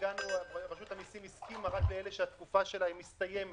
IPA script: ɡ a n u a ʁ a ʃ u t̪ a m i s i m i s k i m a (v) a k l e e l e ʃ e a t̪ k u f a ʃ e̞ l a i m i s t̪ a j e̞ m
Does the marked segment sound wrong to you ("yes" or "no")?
yes